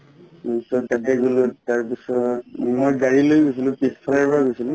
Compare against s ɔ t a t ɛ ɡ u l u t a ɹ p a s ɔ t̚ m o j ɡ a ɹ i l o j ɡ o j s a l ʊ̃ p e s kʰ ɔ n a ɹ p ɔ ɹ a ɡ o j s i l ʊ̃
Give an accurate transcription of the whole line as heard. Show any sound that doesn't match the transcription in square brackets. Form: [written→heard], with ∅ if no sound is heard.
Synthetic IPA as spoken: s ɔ t a t ɛ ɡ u l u t a ɹ p [a→i] s ɔ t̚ m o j ɡ a ɹ i l o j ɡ o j s [a→i] l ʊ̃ p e s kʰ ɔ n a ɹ p ɔ ɹ a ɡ o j s i l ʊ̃